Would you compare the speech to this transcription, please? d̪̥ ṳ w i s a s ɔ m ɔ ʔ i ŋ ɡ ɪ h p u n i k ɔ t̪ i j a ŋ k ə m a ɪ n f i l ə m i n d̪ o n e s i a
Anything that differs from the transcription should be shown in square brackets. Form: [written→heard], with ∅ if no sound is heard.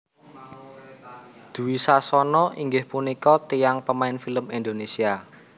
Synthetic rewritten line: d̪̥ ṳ w i s a s ɔ [m→n] ɔ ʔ i ŋ ɡ ɪ h p u n i k ɔ t̪ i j a ŋ [k→p] ə m a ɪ n f i l ə m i n d̪ o n e s i a